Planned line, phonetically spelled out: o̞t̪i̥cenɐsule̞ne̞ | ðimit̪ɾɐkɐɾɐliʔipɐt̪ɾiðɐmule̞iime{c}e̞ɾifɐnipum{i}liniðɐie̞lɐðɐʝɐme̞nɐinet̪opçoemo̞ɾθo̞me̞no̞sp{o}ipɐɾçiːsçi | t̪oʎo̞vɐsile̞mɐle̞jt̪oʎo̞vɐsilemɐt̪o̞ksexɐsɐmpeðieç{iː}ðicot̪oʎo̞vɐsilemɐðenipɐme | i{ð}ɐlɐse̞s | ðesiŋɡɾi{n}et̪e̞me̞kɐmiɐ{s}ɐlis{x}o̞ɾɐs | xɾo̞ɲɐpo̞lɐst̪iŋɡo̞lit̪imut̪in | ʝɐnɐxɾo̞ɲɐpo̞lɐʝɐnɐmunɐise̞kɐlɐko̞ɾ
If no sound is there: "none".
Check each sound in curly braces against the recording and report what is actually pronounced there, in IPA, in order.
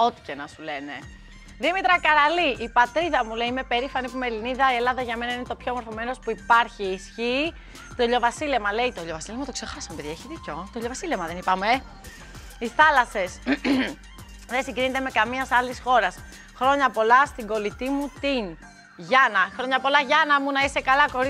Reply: p, e, u, i, θ, n, s, x

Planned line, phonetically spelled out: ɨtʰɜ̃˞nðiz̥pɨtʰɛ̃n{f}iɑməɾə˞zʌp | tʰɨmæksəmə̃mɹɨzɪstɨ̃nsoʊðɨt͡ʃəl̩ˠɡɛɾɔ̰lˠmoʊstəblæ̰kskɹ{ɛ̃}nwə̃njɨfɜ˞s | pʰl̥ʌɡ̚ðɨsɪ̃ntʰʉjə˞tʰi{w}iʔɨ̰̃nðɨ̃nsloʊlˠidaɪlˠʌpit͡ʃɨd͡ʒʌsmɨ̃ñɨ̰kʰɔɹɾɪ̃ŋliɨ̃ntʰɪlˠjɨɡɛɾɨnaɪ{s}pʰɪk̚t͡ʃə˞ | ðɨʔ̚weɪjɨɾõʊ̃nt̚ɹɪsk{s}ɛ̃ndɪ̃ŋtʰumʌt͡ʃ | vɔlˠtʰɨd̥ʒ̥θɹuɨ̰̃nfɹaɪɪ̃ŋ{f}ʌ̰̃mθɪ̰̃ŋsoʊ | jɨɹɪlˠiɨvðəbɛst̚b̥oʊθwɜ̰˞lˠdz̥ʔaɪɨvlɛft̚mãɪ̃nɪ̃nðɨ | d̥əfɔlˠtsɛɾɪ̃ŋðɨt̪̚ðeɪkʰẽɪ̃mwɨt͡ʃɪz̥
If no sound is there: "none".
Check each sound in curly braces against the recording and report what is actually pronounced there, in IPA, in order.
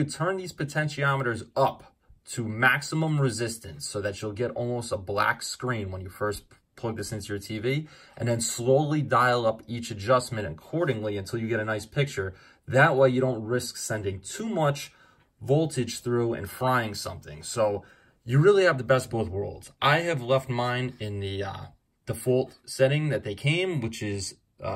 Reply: ʃ, ĩ, v, s, s, s

